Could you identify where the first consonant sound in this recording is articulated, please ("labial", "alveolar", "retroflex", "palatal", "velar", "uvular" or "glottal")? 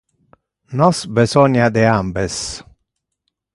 alveolar